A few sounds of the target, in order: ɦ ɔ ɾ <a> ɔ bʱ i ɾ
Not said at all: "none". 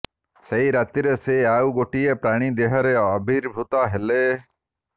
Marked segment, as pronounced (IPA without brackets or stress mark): e